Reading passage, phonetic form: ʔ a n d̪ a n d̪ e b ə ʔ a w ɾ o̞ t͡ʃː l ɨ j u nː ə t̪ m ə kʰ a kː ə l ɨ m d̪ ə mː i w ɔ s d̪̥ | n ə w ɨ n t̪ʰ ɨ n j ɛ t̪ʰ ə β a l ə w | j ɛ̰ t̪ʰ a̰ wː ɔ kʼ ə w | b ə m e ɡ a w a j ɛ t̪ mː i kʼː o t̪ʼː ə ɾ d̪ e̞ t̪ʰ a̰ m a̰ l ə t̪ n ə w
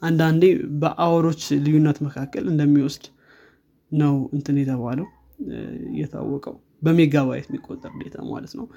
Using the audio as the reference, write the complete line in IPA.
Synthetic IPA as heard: ʔ a n d̪ a n d̪ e b ə ʔ a w ɾ o̞ t͡ʃː l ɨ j u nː ə t̪ m ə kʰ a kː ə l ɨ n d̪ ə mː i w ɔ s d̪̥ | n ə w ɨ n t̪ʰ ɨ n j ɛ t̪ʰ ə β a l ə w | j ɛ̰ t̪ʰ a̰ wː ɔ kʼ ə w | b ə m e ɡ a β a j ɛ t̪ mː i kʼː o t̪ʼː ə ɾ d̪ e̞ t̪ʰ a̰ m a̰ l ə t̪ n ə w